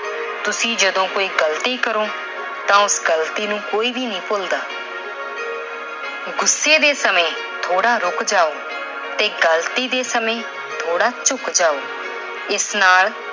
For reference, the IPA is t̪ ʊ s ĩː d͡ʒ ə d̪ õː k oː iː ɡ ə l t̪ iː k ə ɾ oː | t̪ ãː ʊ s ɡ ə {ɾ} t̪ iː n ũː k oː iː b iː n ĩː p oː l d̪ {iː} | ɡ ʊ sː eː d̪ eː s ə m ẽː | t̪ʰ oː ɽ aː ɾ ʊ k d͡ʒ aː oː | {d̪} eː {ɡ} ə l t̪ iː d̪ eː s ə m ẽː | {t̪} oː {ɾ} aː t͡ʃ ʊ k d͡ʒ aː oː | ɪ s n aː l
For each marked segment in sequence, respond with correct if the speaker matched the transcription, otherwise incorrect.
incorrect: l, incorrect: aː, incorrect: t̪, correct, incorrect: t̪ʰ, incorrect: ɽ

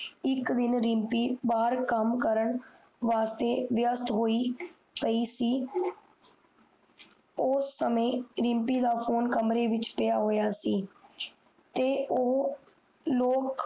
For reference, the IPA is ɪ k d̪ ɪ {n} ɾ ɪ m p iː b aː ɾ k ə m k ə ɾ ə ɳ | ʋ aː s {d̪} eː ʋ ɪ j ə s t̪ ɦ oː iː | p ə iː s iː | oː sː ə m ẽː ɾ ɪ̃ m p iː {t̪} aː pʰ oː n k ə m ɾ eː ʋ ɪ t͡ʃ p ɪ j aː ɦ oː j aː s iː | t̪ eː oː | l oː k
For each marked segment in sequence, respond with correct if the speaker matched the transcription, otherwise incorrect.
correct, incorrect: t̪, incorrect: d̪

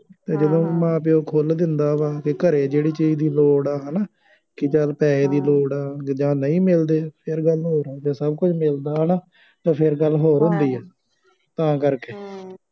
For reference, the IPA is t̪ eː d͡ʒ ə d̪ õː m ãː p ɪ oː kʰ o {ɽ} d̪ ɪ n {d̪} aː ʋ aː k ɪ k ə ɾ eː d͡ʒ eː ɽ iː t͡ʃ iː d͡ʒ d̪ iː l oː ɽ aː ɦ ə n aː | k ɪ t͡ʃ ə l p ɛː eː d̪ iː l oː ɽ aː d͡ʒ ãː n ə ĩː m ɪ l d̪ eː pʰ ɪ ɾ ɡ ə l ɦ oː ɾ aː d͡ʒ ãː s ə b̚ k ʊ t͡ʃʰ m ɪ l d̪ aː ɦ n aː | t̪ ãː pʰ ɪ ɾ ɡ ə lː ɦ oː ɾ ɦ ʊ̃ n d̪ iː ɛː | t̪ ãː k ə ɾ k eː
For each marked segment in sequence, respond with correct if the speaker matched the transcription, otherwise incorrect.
incorrect: l, correct

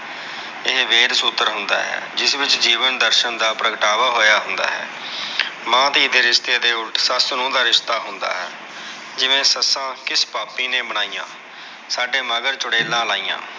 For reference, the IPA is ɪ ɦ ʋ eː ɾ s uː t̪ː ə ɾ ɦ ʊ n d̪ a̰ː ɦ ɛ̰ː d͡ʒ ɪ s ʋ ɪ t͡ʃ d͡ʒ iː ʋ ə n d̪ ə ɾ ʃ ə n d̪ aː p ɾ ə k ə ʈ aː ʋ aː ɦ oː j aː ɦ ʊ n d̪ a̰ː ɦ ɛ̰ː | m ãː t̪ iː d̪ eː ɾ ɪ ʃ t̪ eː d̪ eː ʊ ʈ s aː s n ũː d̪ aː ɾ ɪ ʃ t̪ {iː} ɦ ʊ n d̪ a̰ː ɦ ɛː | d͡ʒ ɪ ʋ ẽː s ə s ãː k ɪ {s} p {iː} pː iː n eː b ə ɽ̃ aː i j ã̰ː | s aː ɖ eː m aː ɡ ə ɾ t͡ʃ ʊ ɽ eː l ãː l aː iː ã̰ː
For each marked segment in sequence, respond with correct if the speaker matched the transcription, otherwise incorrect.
incorrect: aː, correct, incorrect: aː

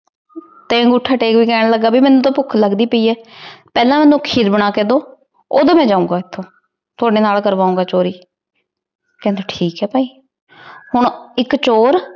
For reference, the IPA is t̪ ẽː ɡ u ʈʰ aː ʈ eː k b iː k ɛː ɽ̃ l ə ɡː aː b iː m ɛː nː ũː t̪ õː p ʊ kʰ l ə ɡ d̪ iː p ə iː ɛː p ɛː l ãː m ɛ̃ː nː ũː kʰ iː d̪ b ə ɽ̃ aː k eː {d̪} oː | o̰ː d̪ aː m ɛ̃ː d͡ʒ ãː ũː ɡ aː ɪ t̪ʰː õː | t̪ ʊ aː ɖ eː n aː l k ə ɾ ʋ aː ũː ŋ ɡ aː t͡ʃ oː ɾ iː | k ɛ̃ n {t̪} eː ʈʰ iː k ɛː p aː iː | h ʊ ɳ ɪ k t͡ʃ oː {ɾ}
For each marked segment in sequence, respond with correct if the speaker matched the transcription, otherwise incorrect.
correct, incorrect: d̪, correct

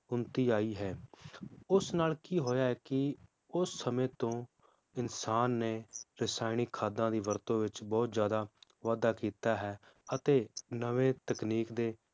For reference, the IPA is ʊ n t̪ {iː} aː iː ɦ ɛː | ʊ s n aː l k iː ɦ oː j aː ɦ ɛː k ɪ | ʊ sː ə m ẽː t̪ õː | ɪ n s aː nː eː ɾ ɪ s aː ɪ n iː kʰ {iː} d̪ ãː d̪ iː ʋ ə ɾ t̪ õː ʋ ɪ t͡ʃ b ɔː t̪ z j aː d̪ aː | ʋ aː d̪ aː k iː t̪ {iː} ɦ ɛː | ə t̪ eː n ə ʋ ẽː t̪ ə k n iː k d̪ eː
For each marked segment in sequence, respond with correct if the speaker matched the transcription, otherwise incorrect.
correct, incorrect: aː, incorrect: aː

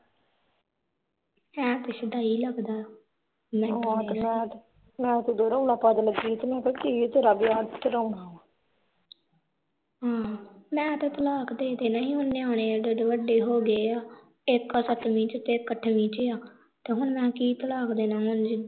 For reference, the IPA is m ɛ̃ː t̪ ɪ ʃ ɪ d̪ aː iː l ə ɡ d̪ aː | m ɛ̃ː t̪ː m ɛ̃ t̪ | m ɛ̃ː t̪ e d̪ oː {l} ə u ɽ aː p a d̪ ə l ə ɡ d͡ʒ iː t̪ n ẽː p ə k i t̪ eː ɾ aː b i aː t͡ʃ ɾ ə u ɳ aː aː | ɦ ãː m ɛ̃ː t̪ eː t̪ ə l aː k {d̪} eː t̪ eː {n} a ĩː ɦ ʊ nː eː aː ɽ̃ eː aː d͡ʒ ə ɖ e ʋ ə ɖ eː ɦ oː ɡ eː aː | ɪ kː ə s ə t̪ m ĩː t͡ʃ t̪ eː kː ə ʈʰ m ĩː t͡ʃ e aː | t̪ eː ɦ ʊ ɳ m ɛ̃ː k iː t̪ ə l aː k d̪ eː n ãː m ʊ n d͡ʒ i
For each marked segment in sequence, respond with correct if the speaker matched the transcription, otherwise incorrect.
incorrect: ɾ, correct, correct

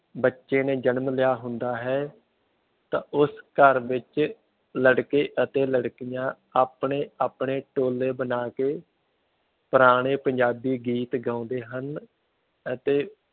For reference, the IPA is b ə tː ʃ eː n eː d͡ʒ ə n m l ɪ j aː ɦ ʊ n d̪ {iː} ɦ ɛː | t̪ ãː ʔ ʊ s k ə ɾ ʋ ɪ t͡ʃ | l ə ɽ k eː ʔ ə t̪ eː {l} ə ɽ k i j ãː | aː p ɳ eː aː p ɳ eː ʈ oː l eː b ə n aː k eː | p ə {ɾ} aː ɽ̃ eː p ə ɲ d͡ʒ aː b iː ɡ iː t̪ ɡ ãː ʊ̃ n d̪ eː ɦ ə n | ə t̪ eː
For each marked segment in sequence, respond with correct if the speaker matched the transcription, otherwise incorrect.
incorrect: aː, correct, correct

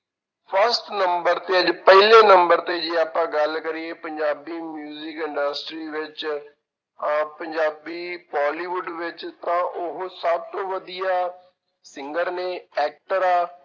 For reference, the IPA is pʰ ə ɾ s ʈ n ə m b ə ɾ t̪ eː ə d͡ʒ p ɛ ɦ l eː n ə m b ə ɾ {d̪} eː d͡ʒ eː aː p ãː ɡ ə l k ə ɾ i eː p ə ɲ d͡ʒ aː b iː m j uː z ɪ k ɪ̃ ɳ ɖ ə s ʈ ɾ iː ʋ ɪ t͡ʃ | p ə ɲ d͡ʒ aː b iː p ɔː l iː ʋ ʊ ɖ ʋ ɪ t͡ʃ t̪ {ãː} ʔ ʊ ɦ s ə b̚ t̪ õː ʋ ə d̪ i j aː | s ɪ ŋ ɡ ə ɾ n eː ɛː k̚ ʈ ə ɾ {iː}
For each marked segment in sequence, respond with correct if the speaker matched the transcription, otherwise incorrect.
incorrect: t̪, correct, incorrect: aː

